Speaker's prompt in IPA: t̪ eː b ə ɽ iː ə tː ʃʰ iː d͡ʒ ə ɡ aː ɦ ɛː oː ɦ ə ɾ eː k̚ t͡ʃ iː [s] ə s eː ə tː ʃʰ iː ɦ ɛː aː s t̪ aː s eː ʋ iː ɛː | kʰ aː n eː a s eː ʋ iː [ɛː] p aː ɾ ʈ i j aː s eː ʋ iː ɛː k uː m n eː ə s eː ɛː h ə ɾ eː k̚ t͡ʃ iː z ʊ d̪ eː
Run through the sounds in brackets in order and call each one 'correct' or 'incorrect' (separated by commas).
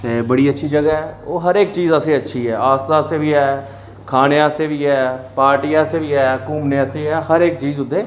incorrect, correct